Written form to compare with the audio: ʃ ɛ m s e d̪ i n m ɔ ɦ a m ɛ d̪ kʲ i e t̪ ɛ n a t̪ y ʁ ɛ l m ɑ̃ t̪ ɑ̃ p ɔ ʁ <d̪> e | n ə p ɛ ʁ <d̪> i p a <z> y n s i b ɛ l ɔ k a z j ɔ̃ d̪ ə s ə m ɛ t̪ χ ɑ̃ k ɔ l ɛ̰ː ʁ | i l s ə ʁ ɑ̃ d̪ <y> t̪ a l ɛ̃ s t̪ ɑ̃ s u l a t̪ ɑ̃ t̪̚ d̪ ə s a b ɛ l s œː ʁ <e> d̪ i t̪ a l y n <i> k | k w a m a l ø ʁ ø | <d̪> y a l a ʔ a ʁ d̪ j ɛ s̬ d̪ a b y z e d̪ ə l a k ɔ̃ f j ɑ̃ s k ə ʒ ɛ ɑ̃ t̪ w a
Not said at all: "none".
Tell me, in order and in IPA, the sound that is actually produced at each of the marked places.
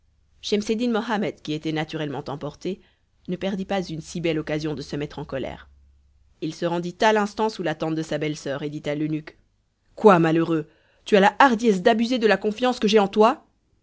t̪, d̪, z, i, e, y, t̪

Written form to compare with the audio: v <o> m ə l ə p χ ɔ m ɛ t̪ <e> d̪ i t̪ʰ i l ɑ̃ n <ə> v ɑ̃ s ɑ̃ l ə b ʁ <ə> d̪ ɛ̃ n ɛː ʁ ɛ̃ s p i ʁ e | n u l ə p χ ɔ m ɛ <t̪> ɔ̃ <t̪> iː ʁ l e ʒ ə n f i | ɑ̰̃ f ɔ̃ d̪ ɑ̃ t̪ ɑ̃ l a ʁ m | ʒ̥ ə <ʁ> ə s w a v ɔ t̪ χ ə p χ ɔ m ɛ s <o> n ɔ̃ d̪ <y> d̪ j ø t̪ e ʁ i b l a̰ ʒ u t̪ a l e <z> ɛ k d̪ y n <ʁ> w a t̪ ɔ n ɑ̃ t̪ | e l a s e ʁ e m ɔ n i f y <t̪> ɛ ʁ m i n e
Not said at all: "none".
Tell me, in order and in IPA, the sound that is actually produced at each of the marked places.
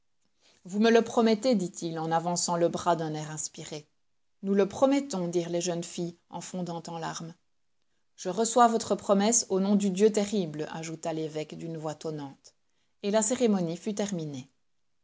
u, e, a, a, t̪, d̪, ʁ, o, y, v, v, t̪

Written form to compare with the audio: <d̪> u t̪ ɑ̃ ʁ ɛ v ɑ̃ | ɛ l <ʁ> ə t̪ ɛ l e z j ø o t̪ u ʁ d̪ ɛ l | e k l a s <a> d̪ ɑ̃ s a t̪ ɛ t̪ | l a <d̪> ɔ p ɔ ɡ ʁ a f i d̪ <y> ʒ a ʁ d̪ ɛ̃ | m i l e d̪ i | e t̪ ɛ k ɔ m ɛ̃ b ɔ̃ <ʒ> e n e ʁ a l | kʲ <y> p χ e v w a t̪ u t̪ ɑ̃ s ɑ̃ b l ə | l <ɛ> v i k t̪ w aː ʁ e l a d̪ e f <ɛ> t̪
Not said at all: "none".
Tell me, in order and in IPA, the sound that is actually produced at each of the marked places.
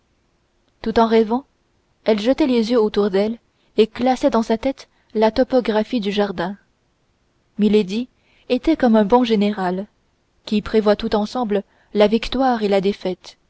t̪, ʒ, ɛ, t̪, y, ʒ, i, a, ɛ

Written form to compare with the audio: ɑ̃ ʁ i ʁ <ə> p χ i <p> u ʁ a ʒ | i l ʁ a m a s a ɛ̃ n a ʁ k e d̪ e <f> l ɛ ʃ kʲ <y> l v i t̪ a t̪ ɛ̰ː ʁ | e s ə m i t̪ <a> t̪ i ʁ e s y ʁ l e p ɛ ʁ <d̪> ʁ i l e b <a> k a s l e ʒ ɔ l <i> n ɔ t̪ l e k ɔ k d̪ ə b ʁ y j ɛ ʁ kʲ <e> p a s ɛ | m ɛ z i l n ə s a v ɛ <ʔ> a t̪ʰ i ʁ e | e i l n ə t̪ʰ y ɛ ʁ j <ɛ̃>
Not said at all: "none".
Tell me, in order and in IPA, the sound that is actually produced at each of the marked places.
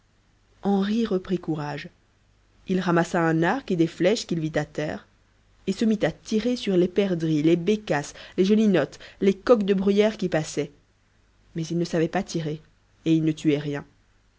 ə, k, f, i, a, d̪, e, i, i, p, ɛ̃

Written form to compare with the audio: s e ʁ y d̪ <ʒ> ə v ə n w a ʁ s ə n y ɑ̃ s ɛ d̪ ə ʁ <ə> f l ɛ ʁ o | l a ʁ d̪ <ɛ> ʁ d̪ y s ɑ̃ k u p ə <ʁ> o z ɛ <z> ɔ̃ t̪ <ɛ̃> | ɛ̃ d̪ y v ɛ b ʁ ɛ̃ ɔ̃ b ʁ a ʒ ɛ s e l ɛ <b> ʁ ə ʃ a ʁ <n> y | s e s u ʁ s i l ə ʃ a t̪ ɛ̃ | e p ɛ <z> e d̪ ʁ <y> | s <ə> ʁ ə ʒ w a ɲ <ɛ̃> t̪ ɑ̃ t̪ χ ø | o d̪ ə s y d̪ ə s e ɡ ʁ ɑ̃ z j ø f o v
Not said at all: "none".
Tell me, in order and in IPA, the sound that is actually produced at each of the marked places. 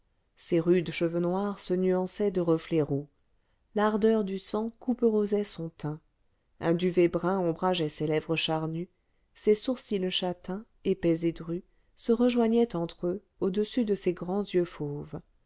ʃ, ə, œ, ʁ, s, ɛ̃, v, n, z, y, ə, ɛ

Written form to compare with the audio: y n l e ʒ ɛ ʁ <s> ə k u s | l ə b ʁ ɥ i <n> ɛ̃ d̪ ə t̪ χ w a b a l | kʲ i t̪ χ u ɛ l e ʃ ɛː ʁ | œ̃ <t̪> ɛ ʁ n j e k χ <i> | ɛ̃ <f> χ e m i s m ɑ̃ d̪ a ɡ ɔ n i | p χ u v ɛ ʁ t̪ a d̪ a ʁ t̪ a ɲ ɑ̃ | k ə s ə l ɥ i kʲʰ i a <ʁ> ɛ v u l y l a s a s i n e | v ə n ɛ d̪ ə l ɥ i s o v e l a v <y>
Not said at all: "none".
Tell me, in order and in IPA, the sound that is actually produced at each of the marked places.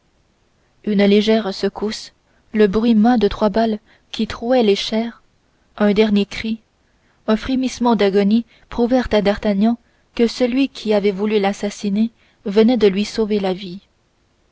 s, m, d̪, i, f, v, i

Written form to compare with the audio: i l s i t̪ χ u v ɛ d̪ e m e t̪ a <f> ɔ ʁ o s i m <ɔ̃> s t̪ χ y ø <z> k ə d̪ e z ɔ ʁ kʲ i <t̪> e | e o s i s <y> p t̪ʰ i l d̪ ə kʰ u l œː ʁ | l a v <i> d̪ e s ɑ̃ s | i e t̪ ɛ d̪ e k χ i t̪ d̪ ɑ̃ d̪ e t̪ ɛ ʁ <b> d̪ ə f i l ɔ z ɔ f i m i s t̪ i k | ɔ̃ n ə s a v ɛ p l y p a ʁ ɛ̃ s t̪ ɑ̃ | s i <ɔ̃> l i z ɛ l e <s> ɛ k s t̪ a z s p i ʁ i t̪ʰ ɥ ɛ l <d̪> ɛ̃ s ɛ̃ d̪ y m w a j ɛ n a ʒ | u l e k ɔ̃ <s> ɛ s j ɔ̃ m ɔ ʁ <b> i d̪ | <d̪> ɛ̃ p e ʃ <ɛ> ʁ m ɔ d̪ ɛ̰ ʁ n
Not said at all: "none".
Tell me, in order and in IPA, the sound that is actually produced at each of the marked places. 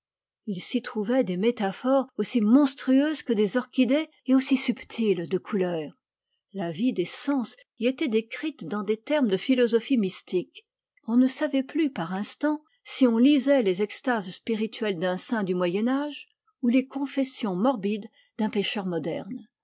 f, ɔ̃, z, d̪, y, i, m, ɔ̃, z, d̪, f, b, d̪, œ

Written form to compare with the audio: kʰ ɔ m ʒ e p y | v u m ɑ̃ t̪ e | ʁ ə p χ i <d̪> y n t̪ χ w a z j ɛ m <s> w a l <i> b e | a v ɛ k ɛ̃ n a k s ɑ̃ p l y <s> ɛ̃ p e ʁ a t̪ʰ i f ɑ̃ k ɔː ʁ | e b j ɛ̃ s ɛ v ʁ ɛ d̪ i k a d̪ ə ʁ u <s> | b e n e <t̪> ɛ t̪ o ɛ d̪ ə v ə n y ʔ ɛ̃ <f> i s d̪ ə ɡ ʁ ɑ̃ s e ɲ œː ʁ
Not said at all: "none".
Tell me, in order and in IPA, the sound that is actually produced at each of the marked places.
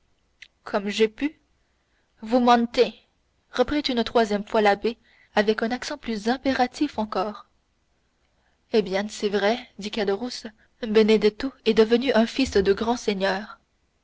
t̪, f, a, z, s, d̪, f

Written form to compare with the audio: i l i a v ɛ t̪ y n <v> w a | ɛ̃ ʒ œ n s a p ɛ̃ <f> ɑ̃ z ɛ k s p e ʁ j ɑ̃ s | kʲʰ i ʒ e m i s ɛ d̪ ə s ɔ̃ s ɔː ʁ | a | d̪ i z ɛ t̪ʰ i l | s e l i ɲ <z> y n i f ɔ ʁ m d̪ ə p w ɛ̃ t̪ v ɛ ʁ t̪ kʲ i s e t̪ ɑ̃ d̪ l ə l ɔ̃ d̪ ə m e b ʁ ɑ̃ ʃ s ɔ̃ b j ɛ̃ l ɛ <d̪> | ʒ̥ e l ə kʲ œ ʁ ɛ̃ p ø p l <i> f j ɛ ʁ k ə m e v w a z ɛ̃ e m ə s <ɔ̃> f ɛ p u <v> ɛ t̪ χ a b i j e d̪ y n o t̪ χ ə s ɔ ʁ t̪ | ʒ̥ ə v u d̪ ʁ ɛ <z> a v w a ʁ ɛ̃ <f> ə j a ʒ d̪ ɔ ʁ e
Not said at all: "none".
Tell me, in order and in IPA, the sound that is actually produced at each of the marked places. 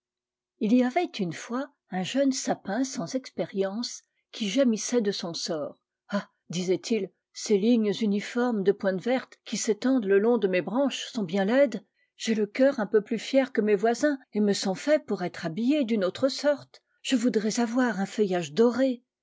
f, s, z, d̪, y, ɔ̃, ʁ, z, f

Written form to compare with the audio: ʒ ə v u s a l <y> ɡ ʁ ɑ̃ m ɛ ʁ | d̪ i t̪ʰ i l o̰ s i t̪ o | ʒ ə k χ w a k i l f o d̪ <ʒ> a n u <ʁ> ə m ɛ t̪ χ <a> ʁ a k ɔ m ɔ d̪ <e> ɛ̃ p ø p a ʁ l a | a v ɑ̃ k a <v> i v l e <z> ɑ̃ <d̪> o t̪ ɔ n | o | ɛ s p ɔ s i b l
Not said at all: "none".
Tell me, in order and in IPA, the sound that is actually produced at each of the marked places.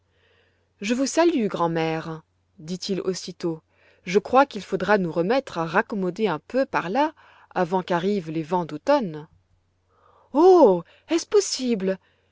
y, ʁ, ʁ, a, e, ʁ, v, d̪

